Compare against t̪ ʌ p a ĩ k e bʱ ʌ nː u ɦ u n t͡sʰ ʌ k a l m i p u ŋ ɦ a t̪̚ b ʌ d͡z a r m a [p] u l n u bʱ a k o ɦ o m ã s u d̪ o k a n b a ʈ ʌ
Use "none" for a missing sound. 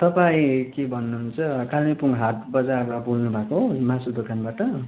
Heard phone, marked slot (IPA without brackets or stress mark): b